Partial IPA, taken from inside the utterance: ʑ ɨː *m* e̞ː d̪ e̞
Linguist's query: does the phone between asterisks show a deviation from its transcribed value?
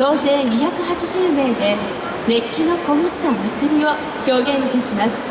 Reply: no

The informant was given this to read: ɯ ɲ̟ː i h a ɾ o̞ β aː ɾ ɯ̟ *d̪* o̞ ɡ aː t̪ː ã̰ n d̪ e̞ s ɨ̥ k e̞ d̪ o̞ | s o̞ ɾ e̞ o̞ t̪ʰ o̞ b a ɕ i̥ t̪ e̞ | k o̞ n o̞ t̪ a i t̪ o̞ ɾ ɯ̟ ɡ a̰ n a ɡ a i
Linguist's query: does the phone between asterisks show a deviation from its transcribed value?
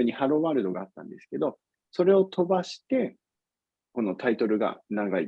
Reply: no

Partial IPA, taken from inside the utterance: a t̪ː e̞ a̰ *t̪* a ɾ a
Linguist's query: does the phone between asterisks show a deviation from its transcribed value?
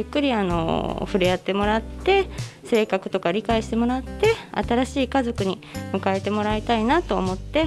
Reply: no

